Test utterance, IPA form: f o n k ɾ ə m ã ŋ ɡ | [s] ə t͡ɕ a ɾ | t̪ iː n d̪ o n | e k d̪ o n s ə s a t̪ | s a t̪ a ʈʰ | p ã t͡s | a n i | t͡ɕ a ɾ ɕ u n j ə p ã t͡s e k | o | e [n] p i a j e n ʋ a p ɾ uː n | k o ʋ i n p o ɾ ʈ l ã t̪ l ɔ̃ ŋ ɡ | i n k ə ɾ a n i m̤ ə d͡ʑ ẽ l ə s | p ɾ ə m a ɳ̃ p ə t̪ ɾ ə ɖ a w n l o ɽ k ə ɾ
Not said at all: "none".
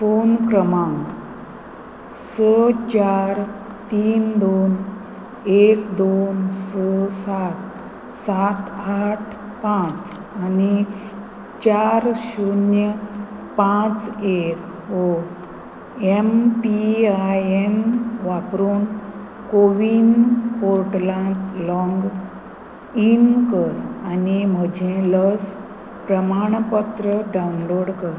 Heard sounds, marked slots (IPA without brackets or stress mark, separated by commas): s, m